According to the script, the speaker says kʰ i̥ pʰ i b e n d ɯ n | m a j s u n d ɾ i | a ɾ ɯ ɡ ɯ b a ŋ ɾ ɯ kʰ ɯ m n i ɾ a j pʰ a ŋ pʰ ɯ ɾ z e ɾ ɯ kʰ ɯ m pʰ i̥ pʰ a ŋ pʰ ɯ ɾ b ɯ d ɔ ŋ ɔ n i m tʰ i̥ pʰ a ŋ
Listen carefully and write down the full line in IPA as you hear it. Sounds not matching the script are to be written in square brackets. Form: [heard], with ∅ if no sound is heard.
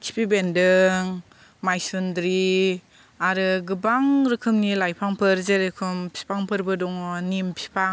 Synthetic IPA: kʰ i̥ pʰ i b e n d ɯ [ŋ] | m a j s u n d ɾ i | a ɾ ɯ ɡ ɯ b a ŋ ɾ ɯ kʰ ɯ m n i [l] a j pʰ a ŋ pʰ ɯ ɾ z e ɾ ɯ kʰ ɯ m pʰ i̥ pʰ a ŋ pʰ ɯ ɾ b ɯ d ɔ ŋ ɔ n i m [pʰ] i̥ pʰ a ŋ